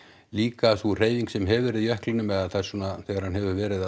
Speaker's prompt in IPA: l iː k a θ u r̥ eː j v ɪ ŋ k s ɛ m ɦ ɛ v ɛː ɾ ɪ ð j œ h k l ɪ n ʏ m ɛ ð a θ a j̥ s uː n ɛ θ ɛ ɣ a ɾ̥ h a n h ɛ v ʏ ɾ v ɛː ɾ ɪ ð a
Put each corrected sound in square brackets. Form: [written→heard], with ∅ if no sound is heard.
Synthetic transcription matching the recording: l iː k a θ u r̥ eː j v [ɪ→i] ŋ k s ɛ m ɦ ɛ v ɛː ɾ ɪ ð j œ h k l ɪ n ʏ m ɛ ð a θ a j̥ s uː n [ɛ→a] θ ɛ ɣ a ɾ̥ h a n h ɛ v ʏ ɾ v ɛː ɾ ɪ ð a